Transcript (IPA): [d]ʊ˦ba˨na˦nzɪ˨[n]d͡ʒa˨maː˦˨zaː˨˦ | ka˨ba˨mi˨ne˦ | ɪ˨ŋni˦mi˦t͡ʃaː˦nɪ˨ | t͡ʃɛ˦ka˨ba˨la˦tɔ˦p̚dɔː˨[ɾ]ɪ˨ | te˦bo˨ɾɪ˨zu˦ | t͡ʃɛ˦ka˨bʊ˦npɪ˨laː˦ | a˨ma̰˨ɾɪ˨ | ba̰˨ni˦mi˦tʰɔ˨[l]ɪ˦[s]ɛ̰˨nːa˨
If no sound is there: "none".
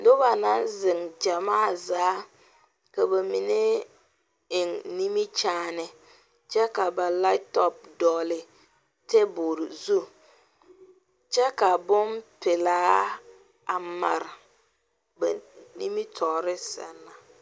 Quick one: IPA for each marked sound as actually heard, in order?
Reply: d, ŋ, l, ɾ, s

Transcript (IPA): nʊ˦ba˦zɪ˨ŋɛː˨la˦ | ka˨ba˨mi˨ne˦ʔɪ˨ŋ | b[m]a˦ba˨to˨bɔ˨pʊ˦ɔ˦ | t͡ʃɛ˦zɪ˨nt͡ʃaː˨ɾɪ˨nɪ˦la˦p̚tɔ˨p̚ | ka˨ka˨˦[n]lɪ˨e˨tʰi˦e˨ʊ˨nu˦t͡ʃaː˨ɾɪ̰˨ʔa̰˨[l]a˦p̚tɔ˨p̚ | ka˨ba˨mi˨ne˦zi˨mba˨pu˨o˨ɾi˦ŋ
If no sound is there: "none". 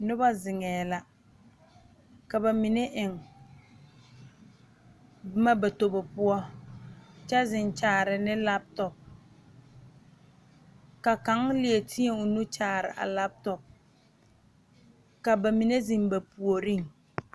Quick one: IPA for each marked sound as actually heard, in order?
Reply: m, ŋ, l

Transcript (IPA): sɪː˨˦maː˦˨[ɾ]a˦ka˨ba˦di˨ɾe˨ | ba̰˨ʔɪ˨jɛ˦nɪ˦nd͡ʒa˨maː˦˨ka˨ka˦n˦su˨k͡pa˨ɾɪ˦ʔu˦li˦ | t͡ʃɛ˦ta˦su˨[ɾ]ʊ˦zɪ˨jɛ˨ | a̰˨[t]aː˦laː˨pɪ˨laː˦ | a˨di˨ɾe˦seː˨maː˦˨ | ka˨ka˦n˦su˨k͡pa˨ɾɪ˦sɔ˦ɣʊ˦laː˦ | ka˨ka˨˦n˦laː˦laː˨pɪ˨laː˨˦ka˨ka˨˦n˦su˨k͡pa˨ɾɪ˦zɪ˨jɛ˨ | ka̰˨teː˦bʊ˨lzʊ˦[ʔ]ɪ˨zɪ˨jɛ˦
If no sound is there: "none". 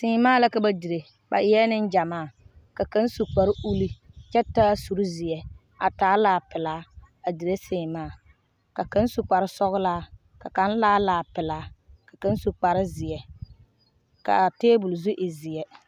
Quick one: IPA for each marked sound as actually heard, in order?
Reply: l, ɾ, t, ʔ

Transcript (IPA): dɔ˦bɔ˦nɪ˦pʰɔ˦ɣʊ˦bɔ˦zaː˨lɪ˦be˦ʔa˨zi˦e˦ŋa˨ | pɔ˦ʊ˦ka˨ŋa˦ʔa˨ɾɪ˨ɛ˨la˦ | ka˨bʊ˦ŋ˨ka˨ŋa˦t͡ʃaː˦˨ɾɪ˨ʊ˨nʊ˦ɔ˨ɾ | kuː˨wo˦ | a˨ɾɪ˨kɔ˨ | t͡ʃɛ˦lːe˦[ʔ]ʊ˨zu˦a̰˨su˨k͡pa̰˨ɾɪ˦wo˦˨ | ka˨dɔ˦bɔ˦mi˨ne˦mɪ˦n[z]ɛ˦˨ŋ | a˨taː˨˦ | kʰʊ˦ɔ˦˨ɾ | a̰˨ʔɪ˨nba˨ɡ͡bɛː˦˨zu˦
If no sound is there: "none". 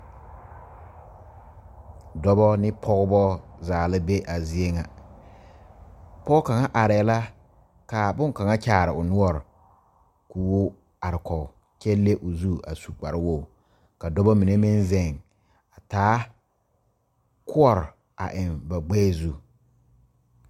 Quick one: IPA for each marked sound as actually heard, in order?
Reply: ʔ, z

